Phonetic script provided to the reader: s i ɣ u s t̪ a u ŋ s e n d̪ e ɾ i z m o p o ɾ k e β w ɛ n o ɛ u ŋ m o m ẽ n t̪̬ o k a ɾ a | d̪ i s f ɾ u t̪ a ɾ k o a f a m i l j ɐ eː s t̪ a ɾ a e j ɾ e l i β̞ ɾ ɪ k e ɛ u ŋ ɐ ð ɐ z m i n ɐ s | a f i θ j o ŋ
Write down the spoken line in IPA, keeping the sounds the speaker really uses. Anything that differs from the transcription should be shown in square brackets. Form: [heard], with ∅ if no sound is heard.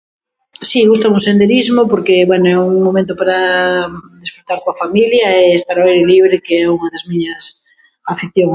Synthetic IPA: s i ɣ u s t̪ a u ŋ s e n d̪ e ɾ i z m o p o ɾ k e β w ɛ n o ɛ u ŋ m o m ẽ n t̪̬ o [p] a ɾ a | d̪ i s f ɾ u t̪ a ɾ k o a f a m i l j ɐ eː s t̪ a ɾ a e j ɾ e l i β̞ ɾ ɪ k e ɛ u ŋ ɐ ð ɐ z m i [ɲ] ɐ s | a f i θ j o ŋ

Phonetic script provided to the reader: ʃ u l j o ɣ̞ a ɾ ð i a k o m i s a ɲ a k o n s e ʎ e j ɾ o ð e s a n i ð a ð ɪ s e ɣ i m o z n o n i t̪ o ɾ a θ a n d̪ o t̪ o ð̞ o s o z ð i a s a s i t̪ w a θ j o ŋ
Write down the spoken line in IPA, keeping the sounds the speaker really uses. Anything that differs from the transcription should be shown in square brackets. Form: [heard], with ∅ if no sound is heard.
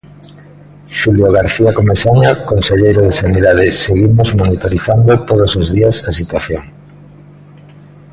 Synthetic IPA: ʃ u l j o ɣ̞ a ɾ [θ] i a k o m [e] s a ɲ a k o n s e ʎ e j ɾ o ð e s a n i ð a ð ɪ s e ɣ i m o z [m] o n i t̪ o ɾ [i] θ a n d̪ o t̪ o ð̞ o s o z ð i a s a s i t̪ w a θ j o ŋ

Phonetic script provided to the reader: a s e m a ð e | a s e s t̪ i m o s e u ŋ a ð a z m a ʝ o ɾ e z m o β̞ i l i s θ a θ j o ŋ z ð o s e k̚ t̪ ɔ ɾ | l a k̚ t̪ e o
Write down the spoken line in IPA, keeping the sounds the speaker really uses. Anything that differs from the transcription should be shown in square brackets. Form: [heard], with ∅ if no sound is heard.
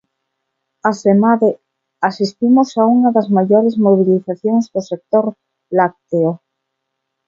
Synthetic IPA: a s e m a ð e | a s [i] s t̪ i m o s [a] u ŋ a ð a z m a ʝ o ɾ e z m o β̞ i l i [∅] θ a θ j o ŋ z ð o s e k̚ t̪ [o] ɾ | l a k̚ t̪ e o

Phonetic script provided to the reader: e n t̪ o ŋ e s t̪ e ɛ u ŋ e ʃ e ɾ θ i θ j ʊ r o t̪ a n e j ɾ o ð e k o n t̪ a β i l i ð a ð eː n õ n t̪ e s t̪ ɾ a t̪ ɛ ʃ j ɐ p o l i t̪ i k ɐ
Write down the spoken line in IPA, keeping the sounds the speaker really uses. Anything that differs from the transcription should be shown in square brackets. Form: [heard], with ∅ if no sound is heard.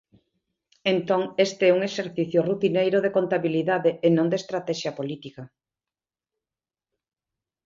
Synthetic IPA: e n t̪ o ŋ e s t̪ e ɛ u ŋ e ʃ e ɾ θ i θ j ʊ r [u] t̪ [i] n e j ɾ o ð e k o n t̪ a β i l i ð a ð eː n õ n [d̪] e s t̪ ɾ a t̪ ɛ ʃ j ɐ p o l i t̪ i k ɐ

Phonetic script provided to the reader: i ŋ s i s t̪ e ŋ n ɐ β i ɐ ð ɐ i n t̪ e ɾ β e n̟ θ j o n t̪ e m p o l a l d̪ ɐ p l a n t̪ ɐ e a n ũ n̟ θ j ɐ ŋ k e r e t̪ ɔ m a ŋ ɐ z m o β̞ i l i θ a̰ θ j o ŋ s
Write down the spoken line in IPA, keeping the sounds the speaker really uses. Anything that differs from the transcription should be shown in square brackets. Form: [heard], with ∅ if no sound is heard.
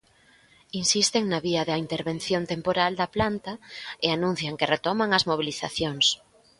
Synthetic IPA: i [n] s i s t̪ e ŋ n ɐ β i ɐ ð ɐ i n t̪ e ɾ β e n̟ θ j o n t̪ e m p o [ɾ] a l d̪ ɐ p l a n t̪ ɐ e a n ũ n̟ θ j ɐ ŋ k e r e t̪ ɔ m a ŋ ɐ z m o β̞ i l i θ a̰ θ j o ŋ s

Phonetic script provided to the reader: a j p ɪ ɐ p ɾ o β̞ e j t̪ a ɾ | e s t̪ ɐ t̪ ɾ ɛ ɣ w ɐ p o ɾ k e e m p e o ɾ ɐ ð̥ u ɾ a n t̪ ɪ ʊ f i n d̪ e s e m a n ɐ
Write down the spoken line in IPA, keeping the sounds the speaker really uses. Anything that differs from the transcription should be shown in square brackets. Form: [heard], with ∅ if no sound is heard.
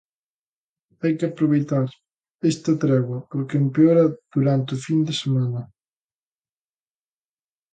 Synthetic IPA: a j [k] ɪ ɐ p ɾ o β̞ e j t̪ a ɾ | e s t̪ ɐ t̪ ɾ ɛ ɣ w ɐ p o ɾ k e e m p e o ɾ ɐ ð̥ u ɾ a n t̪ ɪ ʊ f i n d̪ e s e m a n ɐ

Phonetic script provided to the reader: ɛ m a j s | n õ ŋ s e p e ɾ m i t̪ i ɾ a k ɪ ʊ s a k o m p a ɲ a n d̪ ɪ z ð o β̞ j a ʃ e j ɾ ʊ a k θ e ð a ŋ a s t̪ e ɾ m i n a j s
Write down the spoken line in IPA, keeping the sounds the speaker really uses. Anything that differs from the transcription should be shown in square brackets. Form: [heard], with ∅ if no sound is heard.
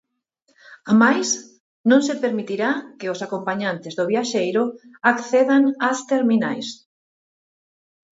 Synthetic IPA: [a] m a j s | n õ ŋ s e p e ɾ m i t̪ i ɾ a k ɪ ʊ s a k o m p a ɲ a n [t̪] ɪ z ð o β̞ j a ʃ e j ɾ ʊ a k θ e ð a ŋ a s t̪ e ɾ m i n a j s

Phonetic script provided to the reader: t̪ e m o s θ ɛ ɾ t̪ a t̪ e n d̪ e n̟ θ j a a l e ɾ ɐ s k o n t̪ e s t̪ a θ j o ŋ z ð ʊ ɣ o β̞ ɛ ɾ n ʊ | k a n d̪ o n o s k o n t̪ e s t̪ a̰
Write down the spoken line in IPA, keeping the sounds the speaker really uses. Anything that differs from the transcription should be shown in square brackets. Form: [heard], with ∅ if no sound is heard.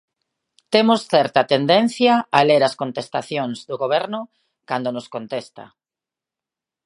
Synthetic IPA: t̪ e m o s θ ɛ ɾ t̪ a t̪ e n d̪ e n̟ θ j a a l e ɾ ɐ s k o n t̪ e s t̪ a θ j o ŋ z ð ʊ ɣ o β̞ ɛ ɾ n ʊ | k a n d̪ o n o s k o n t̪ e s t̪ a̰

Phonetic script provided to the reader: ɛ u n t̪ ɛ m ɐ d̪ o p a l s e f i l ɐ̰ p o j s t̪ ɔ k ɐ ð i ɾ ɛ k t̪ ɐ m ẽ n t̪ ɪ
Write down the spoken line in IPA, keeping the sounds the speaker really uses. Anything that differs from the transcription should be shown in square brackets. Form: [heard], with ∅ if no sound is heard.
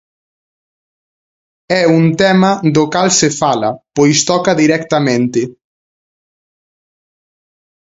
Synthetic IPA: ɛ u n t̪ ɛ m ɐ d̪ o [k] a l s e f [a] l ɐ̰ p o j s t̪ ɔ k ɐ ð i ɾ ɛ k t̪ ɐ m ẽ n t̪ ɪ

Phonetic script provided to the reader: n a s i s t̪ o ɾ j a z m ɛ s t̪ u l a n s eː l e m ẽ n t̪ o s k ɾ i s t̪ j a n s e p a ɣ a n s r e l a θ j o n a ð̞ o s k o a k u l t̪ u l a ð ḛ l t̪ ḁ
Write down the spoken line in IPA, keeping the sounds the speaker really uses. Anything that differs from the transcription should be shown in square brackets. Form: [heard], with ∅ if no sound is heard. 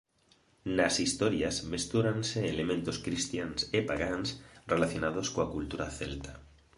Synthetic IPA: n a s i s t̪ o ɾ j a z m [e] s t̪ u [ɾ] a n s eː l e m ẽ n t̪ o s k ɾ i s t̪ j a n s e p a ɣ a n s r e l a θ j o n a ð̞ o s k o a k u l t̪ u [ɾ] a [θ] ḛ l t̪ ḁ

